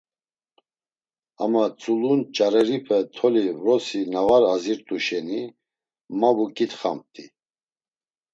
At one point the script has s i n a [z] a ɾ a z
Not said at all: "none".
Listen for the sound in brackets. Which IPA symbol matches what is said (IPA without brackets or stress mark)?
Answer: v